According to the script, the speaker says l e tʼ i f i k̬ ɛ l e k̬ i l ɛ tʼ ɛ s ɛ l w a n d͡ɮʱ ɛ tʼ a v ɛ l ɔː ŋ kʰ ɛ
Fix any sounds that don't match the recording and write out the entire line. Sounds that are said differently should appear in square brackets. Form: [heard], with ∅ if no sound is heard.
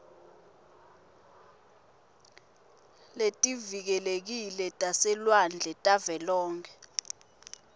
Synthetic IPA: l e tʼ i [v] i k̬ ɛ l e k̬ i l ɛ tʼ [a] s ɛ l w a n d͡ɮʱ ɛ tʼ a v ɛ l ɔː ŋ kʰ ɛ

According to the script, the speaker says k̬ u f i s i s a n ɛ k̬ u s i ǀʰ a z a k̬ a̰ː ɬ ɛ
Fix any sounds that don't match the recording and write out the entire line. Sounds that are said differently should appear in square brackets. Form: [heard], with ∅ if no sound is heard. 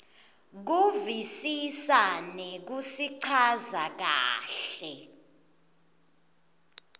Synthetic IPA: k̬ u [v] i s i s a n ɛ k̬ u s i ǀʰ a z a k̬ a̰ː ɬ ɛ

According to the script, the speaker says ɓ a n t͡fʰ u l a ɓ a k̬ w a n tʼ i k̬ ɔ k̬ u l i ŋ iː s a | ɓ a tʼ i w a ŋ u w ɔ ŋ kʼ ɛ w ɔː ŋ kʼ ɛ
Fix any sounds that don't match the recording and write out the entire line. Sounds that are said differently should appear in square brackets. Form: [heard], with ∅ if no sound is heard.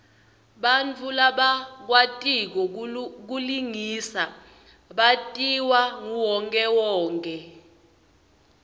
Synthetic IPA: ɓ a n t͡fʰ u l a ɓ a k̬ w a [∅] tʼ i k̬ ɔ k̬ u l i ŋ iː s a | ɓ a tʼ i w a ŋ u w ɔ ŋ kʼ ɛ w ɔː ŋ kʼ ɛ

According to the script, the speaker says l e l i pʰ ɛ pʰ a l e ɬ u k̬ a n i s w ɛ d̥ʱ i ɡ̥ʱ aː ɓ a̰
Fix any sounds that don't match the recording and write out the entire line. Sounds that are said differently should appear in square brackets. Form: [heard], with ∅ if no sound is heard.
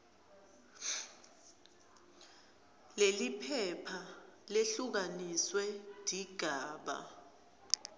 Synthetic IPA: l e l i pʰ ɛ pʰ a l e ɬ u k̬ a n i s w ɛ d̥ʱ i ɡ̥ʱ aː ɓ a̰

